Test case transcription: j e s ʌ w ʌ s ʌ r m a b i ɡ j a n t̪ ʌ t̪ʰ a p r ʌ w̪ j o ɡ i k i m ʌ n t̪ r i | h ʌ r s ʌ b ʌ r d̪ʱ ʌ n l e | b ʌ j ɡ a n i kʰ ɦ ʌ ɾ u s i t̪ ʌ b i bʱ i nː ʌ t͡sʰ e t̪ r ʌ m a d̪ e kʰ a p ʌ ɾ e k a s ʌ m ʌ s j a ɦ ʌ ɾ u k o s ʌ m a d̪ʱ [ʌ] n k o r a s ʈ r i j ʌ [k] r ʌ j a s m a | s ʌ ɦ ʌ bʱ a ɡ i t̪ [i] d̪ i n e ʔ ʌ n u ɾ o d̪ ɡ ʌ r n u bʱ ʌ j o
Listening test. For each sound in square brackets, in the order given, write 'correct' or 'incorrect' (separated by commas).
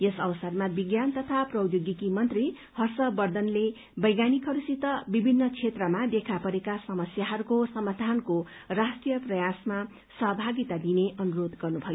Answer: incorrect, incorrect, incorrect